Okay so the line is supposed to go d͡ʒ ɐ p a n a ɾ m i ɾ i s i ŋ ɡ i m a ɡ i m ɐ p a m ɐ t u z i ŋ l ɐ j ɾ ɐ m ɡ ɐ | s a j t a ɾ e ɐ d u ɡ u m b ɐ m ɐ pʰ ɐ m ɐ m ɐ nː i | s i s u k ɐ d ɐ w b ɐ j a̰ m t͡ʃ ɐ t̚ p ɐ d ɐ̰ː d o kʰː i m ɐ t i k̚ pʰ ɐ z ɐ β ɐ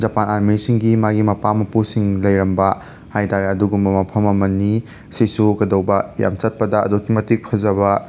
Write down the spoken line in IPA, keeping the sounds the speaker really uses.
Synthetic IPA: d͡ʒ ɐ p a n a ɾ m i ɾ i s i ŋ ɡ i m a ɡ i m ɐ p a m ɐ p u s i ŋ l ɐ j ɾ ɐ m b ɐ | h a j t a ɾ e ɐ d u ɡ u m b ɐ m ɐ pʰ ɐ m ɐ m ɐ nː i | s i s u k ɐ d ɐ w b ɐ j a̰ m t͡ʃ ɐ t̚ p ɐ d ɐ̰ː d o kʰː i m ɐ t i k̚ pʰ ɐ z ɐ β ɐ